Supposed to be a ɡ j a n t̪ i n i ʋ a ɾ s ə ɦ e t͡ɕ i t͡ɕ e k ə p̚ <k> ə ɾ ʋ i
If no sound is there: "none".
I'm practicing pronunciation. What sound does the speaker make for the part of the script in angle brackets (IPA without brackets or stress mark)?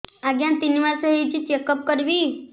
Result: k